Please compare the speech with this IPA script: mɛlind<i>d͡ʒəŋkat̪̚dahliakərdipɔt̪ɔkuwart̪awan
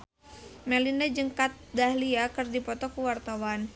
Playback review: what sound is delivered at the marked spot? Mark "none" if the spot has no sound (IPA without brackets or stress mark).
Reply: a